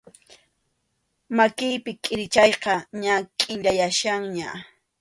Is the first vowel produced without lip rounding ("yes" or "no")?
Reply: yes